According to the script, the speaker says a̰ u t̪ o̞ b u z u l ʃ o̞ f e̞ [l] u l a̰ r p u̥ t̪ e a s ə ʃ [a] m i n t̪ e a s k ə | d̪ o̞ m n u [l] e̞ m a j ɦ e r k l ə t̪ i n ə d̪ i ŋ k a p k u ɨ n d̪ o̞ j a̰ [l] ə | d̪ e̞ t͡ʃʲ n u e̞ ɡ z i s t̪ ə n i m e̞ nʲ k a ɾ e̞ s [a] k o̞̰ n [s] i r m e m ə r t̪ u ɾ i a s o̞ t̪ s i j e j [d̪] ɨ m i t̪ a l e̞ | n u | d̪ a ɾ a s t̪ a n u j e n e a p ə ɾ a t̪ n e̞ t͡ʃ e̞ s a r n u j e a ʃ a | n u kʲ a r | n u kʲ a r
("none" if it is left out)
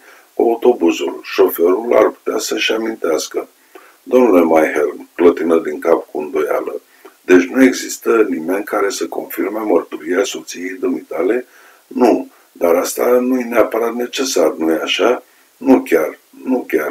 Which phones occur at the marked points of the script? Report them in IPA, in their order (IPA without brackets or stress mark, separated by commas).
ɾ, a, l, l, ə, f, d̪